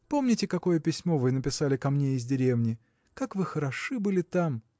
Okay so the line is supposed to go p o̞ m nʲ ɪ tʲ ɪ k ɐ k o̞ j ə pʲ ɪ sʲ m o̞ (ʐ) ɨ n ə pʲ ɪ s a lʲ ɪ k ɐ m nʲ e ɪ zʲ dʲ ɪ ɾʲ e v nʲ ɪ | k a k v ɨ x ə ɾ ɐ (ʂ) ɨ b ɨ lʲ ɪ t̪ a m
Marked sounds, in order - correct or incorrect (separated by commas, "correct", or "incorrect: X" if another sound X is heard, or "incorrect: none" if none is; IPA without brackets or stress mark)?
incorrect: v, correct